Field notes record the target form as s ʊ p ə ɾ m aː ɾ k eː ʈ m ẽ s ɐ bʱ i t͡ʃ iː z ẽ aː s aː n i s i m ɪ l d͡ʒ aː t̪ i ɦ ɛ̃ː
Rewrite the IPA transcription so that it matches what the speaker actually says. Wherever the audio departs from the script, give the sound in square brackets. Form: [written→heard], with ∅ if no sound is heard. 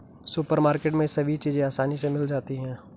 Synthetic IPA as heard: s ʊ p ə ɾ m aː ɾ k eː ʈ m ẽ s ɐ bʱ i t͡ʃ iː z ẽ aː s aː n i s [i→e] m ɪ l d͡ʒ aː t̪ i ɦ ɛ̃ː